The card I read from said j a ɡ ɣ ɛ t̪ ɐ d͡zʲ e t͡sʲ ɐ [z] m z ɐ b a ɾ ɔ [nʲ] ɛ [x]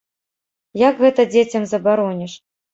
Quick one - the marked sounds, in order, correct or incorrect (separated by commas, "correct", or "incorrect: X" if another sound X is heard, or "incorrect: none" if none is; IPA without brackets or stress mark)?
incorrect: none, correct, incorrect: ʂ